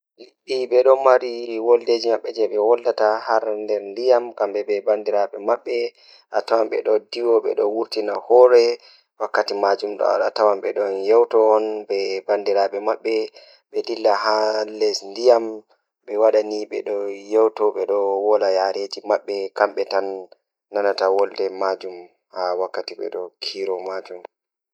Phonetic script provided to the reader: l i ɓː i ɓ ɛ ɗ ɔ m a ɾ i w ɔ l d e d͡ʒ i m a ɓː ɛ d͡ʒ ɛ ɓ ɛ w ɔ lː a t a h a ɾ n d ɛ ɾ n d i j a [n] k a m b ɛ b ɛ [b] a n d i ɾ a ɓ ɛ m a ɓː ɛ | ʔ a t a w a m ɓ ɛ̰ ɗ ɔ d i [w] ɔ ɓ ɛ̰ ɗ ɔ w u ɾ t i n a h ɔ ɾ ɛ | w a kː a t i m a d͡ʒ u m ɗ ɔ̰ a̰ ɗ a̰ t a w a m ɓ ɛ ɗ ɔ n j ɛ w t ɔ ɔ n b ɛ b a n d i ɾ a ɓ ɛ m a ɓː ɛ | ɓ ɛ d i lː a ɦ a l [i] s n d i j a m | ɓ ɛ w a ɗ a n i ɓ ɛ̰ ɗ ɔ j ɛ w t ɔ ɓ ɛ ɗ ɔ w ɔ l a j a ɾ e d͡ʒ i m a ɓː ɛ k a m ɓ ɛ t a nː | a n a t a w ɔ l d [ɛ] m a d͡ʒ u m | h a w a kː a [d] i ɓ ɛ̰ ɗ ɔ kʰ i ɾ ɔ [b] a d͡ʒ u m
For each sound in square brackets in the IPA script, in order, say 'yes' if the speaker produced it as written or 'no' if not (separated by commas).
no, yes, yes, no, yes, no, no